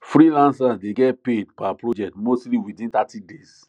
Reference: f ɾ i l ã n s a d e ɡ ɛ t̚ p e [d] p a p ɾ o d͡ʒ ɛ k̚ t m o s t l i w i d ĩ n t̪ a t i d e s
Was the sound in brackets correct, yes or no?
yes